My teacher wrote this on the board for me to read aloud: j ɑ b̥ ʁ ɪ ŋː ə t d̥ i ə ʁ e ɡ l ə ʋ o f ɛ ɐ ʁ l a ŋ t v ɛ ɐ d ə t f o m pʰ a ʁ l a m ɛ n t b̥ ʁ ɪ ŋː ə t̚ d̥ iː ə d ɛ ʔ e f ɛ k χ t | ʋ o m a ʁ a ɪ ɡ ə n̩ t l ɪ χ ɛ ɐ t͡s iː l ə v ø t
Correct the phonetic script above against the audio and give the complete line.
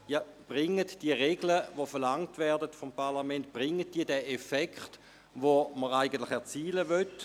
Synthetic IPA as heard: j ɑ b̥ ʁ ɪ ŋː ə t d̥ i ə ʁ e ɡ l ə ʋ o f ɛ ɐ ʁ l a ŋ t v ɛ ɐ d ə t f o m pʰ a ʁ l a m ɛ n t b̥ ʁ ɪ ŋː ə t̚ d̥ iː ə d ɛ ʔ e f ɛ k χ t | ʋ o m ə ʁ a ɪ ɡ ə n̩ t l ɪ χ ɛ ɐ t͡s iː l ə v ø t